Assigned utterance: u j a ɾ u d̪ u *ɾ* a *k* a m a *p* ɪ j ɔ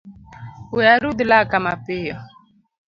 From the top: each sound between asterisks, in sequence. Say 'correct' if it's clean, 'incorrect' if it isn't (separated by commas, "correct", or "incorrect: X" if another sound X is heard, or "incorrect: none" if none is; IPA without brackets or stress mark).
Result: incorrect: l, correct, correct